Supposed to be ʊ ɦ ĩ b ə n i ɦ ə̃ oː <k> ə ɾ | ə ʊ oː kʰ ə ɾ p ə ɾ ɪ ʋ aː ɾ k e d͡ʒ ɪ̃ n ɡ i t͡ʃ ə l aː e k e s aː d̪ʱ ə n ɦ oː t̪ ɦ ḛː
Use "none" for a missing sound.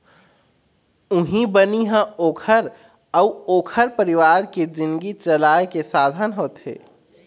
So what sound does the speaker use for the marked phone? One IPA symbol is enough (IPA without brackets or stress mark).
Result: kʰ